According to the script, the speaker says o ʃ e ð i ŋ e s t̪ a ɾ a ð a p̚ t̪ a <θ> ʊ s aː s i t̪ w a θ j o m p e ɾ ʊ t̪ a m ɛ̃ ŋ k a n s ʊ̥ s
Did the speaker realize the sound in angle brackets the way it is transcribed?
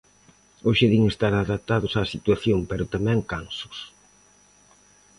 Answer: no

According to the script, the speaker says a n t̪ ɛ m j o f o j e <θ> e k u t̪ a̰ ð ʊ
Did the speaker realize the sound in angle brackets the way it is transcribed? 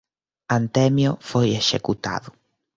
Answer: no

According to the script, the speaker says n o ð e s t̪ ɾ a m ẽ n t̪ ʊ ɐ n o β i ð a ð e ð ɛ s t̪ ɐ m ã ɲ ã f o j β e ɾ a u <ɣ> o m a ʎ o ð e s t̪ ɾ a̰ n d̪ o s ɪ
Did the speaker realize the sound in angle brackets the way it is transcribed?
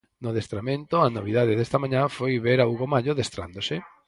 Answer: yes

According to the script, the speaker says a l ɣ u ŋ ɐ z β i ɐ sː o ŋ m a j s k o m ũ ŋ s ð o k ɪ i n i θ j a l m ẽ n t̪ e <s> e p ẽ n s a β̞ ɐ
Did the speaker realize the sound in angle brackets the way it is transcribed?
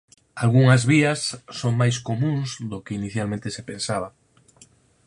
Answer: yes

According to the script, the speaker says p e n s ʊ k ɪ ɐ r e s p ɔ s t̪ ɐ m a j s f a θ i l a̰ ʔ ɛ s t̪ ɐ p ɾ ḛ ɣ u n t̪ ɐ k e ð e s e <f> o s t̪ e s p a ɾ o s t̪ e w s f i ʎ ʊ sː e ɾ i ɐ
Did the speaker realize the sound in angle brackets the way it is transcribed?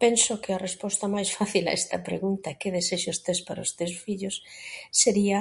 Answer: no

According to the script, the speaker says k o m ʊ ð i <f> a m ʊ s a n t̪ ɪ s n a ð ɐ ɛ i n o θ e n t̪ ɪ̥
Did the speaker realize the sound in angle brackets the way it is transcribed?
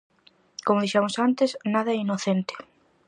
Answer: no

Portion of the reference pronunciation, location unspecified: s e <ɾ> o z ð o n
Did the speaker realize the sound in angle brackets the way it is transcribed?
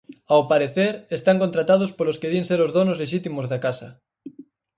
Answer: yes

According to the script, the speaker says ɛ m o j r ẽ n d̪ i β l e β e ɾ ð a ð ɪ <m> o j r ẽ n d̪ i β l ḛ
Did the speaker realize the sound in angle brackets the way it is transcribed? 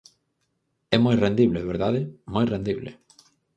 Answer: yes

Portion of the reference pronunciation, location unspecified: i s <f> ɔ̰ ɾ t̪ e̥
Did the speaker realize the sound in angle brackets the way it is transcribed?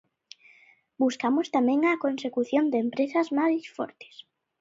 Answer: yes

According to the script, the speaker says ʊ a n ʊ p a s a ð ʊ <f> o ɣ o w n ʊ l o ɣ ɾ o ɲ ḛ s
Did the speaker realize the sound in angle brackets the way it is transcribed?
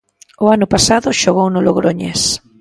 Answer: no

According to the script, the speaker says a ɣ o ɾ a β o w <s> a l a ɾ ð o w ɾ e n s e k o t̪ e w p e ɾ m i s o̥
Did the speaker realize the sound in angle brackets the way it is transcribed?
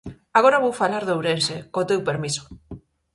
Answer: no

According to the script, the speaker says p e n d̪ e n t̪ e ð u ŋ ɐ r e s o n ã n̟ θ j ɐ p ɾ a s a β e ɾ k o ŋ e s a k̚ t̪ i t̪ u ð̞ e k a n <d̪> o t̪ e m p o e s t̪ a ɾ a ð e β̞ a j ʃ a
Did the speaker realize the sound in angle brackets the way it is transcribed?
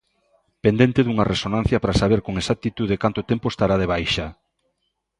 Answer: no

